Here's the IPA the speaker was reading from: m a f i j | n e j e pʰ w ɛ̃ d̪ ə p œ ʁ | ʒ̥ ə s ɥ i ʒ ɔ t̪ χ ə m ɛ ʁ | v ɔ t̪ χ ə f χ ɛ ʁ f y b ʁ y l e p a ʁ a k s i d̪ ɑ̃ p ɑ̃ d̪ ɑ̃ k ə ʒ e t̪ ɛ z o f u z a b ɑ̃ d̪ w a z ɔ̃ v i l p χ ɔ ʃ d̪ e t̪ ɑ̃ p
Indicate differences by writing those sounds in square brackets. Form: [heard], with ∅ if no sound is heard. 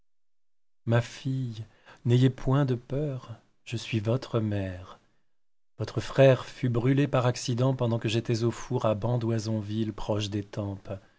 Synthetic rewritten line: m a f i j | n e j e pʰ w ɛ̃ d̪ ə p œ ʁ | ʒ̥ ə s ɥ i [v] ɔ t̪ χ ə m ɛ ʁ | v ɔ t̪ χ ə f χ ɛ ʁ f y b ʁ y l e p a ʁ a k s i d̪ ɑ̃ p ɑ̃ d̪ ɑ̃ k ə ʒ e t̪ ɛ z o f u [ʁ] a b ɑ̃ d̪ w a z ɔ̃ v i l p χ ɔ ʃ d̪ e t̪ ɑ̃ p